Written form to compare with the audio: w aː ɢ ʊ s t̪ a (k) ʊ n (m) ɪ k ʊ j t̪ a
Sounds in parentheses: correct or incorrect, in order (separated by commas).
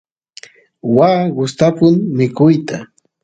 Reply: incorrect, correct